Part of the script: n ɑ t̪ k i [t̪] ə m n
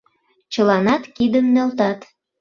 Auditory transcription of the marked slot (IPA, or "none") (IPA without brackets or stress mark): d̪